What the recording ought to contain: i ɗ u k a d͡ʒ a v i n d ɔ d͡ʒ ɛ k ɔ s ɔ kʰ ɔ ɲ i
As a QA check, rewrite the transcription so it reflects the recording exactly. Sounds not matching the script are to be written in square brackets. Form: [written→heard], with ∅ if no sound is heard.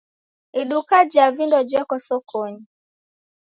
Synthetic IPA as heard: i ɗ u k a d͡ʒ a v i n d ɔ d͡ʒ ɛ k ɔ s ɔ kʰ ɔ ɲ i